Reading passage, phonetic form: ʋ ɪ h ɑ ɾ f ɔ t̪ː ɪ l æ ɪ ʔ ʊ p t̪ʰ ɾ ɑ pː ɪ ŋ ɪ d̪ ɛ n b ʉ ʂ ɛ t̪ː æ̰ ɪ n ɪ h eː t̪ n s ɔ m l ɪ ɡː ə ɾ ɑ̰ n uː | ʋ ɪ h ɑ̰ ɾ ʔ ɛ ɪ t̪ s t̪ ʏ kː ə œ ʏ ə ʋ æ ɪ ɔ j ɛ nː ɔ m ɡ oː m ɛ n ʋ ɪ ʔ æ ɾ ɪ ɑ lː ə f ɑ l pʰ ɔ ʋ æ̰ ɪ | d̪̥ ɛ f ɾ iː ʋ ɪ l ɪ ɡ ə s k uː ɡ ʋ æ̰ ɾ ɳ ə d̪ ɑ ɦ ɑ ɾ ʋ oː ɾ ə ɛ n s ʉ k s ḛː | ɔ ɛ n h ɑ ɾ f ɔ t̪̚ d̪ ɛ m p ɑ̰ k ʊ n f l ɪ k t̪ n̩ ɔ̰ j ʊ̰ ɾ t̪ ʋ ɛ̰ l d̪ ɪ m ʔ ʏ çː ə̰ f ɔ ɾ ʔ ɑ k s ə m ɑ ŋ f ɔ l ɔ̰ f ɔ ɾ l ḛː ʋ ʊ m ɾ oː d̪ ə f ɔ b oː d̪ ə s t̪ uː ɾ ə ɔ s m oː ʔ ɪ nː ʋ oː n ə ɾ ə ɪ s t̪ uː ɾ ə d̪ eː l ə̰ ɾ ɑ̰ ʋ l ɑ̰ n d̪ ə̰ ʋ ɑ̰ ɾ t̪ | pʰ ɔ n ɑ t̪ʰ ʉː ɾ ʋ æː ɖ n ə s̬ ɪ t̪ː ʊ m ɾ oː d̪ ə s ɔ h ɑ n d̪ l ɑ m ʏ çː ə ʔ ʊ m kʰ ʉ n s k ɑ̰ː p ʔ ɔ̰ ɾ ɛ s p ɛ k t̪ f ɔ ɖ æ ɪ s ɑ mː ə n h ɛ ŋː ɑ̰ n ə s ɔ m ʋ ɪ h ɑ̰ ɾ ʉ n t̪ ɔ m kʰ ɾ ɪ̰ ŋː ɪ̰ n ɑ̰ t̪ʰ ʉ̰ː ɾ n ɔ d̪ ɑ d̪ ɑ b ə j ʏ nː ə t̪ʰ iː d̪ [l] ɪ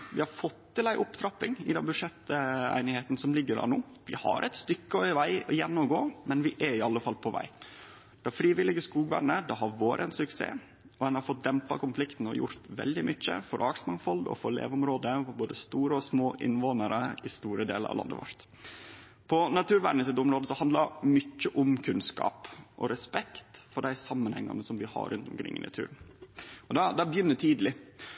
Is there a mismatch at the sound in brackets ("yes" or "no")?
no